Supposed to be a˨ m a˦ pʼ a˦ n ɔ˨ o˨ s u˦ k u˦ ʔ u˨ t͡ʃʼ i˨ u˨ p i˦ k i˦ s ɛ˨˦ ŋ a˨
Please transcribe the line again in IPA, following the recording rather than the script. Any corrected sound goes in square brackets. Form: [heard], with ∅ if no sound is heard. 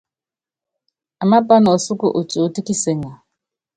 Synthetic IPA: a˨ m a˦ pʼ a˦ n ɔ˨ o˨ s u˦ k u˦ ʔ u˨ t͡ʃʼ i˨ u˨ [t] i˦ k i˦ s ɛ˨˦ ŋ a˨